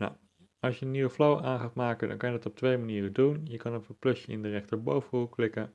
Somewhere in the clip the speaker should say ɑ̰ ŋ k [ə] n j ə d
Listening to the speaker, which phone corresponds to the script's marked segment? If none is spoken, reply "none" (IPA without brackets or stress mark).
ɑ